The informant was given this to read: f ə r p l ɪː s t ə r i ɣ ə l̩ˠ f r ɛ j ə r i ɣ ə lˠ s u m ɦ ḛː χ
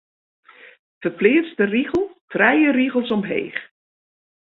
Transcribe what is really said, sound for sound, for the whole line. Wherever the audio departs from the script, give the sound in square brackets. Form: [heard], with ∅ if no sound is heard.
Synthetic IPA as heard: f ə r p l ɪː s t ə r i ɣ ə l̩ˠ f r ɛ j ə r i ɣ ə lˠ s [ɔ] m ɦ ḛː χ